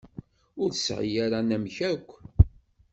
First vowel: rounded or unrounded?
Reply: rounded